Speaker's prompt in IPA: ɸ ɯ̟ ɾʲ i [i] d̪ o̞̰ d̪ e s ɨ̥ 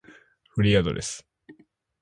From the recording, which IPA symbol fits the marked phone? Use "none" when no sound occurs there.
a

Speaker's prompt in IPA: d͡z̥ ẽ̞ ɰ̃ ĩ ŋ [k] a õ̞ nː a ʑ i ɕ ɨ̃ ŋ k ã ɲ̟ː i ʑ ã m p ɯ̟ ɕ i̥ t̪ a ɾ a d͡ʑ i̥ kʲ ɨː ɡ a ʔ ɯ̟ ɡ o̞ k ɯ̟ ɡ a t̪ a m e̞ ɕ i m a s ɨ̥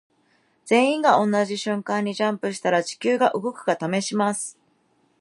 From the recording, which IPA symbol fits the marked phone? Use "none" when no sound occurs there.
ɡ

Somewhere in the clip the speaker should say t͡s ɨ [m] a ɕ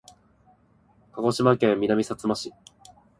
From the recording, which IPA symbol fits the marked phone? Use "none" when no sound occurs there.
m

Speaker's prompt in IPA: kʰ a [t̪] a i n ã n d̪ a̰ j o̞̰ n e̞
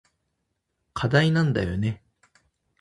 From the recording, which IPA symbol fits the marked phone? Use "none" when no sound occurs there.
d̪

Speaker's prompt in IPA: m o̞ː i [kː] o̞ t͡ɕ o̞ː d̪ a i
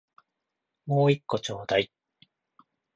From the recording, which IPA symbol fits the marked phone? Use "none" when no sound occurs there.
kː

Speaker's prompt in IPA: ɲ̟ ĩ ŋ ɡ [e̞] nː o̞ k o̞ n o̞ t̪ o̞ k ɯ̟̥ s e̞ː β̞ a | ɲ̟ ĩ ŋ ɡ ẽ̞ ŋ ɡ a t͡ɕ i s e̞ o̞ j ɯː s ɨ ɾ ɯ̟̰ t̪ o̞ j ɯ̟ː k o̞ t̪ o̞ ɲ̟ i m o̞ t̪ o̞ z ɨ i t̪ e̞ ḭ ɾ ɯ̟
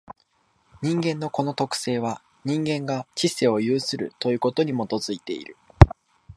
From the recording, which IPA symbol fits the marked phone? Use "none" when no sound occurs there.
ẽ̞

